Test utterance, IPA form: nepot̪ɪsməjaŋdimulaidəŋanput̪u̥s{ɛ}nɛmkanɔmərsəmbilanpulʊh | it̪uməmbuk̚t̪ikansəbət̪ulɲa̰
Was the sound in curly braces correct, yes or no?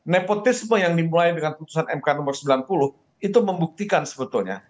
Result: no